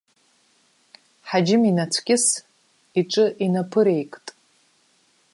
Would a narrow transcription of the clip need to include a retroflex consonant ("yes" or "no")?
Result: yes